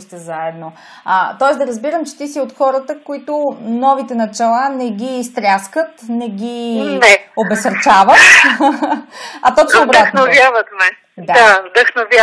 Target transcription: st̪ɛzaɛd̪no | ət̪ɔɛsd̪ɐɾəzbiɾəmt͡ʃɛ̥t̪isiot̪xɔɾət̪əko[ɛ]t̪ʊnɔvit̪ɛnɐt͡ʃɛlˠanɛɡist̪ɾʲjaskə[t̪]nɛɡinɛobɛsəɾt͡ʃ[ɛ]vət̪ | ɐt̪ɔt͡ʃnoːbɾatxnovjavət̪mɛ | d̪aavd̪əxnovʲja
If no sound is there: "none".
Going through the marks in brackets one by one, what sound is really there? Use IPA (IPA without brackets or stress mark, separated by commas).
i, t̪, a